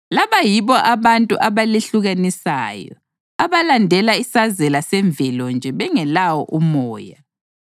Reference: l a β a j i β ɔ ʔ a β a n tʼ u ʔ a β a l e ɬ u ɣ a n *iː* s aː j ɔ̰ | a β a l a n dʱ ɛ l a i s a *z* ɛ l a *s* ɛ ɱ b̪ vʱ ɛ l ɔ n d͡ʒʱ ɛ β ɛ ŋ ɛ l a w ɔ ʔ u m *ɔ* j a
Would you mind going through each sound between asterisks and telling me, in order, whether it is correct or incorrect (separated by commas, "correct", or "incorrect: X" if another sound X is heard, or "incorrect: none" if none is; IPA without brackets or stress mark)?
incorrect: i, correct, correct, incorrect: ɔː